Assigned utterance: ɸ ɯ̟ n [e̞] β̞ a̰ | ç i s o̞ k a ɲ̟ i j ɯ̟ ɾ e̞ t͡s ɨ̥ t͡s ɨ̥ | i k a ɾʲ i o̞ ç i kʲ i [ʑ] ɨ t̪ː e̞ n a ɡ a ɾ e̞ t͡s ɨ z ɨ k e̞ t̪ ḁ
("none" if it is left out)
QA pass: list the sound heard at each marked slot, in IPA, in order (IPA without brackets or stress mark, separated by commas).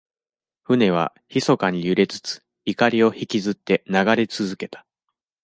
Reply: e̞, z